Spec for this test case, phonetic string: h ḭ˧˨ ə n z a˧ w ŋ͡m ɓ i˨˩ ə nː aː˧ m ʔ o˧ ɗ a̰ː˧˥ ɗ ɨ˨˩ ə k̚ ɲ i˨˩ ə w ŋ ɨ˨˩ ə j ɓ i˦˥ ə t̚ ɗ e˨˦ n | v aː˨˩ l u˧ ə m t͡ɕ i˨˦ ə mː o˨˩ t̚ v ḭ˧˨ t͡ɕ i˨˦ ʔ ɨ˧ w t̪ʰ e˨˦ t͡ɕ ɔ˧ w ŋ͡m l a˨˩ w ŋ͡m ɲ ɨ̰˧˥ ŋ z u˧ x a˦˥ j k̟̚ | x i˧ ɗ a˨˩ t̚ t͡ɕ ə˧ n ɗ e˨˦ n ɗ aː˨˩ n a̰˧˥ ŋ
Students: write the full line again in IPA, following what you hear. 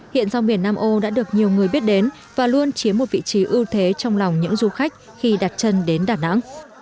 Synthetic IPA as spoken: h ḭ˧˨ ə n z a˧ w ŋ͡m ɓ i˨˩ ə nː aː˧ m ʔ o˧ ɗ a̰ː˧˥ ɗ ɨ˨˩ ə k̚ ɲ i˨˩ ə w ŋ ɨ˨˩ ə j ɓ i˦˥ ə t̚ ɗ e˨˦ n | v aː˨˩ l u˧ ə n t͡ɕ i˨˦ ə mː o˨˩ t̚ v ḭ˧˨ t͡ɕ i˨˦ ʔ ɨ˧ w t̪ʰ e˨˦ t͡ɕ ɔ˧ w ŋ͡m l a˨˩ w ŋ͡m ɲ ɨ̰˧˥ ŋ z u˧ x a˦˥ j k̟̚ | x i˧ ɗ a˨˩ t̚ t͡ɕ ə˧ n ɗ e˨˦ n ɗ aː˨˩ n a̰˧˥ ŋ